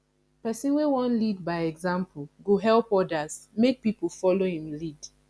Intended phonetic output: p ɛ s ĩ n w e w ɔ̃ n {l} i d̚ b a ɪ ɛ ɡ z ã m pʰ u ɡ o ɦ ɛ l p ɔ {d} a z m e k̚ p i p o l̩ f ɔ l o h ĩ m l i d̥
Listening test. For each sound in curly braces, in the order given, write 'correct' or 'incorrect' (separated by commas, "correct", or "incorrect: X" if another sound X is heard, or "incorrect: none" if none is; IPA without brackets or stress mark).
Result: correct, correct